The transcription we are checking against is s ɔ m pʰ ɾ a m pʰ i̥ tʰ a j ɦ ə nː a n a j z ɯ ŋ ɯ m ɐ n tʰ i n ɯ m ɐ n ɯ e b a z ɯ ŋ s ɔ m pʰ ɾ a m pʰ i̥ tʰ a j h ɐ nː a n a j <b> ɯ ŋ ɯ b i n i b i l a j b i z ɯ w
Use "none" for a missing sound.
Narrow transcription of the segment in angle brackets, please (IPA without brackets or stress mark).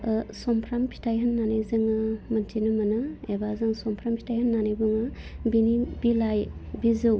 b